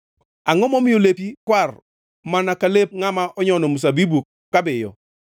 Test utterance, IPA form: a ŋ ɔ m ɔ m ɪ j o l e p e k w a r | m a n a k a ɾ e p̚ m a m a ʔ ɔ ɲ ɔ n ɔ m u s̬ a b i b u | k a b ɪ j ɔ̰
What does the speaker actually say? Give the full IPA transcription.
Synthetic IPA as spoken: a ŋ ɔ m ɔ m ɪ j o l e p i k w a r | m a n a k a l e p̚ ŋ a m a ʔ ɔ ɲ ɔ n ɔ m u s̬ a b i b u | k a b ɪ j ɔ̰